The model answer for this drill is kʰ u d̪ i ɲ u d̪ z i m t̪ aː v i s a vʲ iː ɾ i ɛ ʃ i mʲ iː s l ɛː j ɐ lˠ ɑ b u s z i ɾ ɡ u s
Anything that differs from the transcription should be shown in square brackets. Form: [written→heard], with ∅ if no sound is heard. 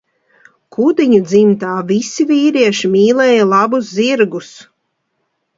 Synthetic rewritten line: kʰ u d̪ i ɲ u d̪ z i m t̪ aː v i s [a→i] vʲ iː ɾ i ɛ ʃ i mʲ iː [s→∅] l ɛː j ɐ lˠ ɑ b u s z i ɾ ɡ u s